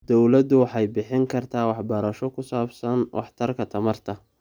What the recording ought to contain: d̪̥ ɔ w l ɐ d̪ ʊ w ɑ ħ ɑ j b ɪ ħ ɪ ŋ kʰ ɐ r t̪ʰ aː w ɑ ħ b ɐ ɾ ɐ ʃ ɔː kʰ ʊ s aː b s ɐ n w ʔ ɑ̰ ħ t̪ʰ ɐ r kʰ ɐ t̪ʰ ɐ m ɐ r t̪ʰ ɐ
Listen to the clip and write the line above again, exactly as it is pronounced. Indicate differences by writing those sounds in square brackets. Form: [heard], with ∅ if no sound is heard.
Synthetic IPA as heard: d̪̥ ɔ w l ɐ d̪ ʊ w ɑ ħ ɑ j b ɪ ħ ɪ ŋ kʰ ɐ r t̪ʰ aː w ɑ ħ b ɐ ɾ ɐ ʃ [ɔ] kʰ ʊ s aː b s ɐ n w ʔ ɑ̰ ħ t̪ʰ ɐ r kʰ ɐ t̪ʰ ɐ m ɐ r t̪ʰ ɐ

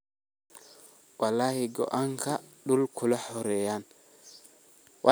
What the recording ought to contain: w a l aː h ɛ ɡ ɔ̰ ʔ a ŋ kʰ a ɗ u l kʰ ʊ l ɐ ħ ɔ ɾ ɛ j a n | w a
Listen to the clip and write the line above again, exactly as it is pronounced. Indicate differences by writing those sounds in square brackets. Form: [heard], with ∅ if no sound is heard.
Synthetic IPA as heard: w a l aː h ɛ ɡ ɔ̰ ʔ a ŋ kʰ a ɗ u l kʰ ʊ l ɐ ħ ɔ ɾ ɛ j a n | w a

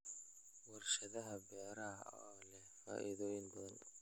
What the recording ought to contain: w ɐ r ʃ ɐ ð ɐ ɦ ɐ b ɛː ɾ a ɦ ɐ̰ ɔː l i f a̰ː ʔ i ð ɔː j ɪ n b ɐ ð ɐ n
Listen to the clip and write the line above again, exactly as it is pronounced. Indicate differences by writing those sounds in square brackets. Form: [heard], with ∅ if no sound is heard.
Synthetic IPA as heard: w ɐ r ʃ ɐ ð ɐ ɦ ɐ b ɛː ɾ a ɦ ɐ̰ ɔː l [ɛ] f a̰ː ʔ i ð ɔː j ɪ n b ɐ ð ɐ n

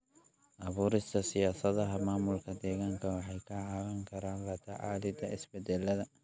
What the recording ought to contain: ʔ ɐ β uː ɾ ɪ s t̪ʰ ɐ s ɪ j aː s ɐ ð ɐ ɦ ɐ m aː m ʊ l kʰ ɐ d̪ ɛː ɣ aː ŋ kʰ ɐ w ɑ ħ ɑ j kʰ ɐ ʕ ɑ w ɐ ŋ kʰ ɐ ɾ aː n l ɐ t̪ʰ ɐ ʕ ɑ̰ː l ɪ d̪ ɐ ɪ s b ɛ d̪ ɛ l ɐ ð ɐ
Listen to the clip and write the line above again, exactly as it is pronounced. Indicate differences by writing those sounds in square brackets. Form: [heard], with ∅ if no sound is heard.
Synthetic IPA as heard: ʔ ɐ β uː ɾ ɪ s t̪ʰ ɐ s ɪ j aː s ɐ ð ɐ ɦ ɐ m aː m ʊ l kʰ ɐ d̪ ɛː ɣ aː ŋ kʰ ɐ w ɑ ħ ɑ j kʰ ɐ ʕ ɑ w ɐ ŋ kʰ ɐ ɾ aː n l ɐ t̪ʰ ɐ ʕ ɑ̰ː l ɪ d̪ ɐ ɪ s b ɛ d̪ ɛ l ɐ ð ɐ

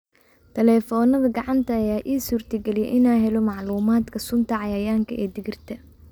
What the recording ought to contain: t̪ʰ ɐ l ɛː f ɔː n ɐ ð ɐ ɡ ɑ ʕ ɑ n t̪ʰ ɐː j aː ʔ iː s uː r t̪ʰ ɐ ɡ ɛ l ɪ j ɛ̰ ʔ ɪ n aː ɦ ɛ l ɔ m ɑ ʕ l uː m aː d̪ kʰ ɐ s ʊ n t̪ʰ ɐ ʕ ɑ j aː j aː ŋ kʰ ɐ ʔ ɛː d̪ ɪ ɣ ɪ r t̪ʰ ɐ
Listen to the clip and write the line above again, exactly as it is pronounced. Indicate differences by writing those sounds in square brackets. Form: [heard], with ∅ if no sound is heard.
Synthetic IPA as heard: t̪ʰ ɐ l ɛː f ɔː n ɐ ð ɐ ɡ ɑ ʕ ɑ n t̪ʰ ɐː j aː ʔ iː s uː r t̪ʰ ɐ ɡ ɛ l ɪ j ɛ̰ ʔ ɪ n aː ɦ ɛ l ɔ m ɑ ʕ l uː m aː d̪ kʰ ɐ s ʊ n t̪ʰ ɐ ʕ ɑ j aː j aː ŋ kʰ ɐ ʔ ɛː d̪ ɪ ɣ ɪ r t̪ʰ ɐ

